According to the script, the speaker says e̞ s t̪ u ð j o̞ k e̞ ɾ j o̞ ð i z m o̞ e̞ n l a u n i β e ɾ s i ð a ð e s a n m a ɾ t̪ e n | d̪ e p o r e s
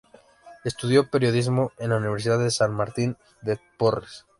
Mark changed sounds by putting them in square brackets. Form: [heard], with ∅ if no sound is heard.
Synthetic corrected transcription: e̞ s t̪ u ð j o̞ [p] e̞ ɾ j o̞ ð i z m o̞ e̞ n l a u n i β e ɾ s i ð a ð e s a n m a ɾ t̪ [i] n | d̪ e p o r e s